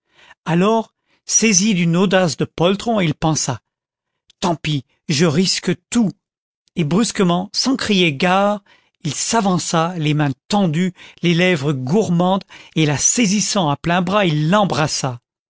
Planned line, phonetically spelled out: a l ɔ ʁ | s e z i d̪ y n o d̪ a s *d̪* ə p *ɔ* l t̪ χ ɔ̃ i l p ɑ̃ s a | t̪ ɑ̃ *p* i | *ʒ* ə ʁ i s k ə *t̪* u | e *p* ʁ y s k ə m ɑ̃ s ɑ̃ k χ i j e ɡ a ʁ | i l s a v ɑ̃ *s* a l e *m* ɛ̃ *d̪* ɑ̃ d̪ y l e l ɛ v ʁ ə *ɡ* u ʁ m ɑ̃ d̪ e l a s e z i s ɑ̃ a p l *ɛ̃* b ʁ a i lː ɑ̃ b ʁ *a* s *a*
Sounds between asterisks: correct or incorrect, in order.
correct, correct, correct, correct, correct, incorrect: b, correct, correct, incorrect: t̪, correct, correct, correct, correct

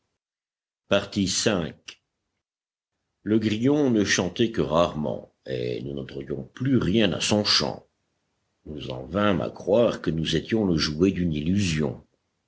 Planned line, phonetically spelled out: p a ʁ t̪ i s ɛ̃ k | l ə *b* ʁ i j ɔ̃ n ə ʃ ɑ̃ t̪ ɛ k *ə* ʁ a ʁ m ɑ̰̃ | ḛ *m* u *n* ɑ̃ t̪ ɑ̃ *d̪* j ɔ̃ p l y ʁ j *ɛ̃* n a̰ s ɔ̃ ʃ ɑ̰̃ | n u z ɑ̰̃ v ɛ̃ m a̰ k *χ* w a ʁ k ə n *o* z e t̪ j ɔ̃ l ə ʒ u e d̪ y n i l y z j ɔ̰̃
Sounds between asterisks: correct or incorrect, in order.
incorrect: ɡ, correct, incorrect: n, correct, correct, correct, correct, incorrect: u

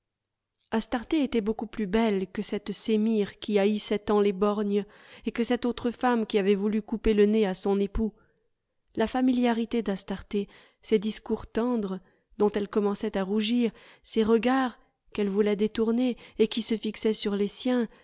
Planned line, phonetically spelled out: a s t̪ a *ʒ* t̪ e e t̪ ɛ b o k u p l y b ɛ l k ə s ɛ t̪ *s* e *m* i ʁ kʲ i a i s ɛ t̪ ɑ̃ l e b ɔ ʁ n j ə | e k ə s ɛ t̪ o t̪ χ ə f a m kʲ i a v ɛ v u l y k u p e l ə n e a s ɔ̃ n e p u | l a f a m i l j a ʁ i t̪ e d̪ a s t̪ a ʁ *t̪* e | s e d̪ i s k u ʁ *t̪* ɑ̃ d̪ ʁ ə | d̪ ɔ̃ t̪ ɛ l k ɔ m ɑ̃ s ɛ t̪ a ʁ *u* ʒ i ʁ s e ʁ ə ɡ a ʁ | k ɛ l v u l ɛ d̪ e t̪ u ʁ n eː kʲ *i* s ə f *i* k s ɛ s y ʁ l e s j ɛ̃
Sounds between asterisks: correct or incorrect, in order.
incorrect: ʁ, correct, correct, correct, correct, correct, correct, correct

